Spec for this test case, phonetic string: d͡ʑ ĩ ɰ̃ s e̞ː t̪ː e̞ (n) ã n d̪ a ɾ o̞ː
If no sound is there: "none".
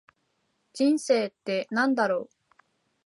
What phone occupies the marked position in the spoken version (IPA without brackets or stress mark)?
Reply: n